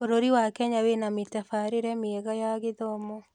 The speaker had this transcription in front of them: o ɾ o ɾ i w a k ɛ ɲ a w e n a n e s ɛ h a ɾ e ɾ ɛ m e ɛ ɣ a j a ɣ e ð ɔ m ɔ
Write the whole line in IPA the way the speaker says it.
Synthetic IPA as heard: o ɾ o ɾ i w a k ɛ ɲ a w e n a m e t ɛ f a ɾ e ɾ ɛ m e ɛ ɣ a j a ɣ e ð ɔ m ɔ